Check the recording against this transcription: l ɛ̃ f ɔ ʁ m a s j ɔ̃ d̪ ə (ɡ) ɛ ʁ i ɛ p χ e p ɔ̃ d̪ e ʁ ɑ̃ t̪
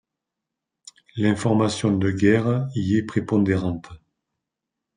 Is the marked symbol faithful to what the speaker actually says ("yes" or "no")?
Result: yes